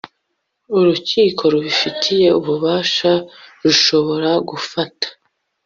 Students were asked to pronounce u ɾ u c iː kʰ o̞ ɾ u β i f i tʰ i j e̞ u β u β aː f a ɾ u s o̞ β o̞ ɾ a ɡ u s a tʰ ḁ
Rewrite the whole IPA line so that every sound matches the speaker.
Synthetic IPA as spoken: u ɾ u c iː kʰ o̞ ɾ u β i f i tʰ i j e̞ u β u β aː ʃ a ɾ u ʃ o̞ β o̞ ɾ a ɡ u f a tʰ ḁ